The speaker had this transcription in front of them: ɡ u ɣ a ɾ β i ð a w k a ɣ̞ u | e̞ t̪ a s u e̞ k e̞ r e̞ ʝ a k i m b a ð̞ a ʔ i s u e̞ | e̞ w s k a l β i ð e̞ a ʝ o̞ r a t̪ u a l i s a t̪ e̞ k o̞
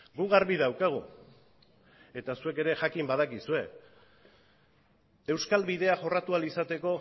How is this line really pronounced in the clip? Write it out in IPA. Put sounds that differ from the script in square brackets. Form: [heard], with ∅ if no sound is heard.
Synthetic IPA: ɡ u ɣ a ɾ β i ð a w k a ɣ̞ u | e̞ t̪ a s u e̞ k e̞ [ɾ] e̞ ʝ a k i m b a ð̞ a [k] i s u e̞ | e̞ w s k a l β i ð e̞ a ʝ o̞ r a t̪ u a l i s a t̪ e̞ k o̞